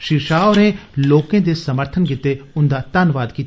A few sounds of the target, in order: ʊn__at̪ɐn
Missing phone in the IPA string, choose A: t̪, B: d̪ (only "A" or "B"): B